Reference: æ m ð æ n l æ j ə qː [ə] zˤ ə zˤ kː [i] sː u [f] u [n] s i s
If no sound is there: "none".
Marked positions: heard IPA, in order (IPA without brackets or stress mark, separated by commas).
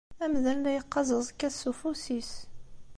ɑ, æ, f, none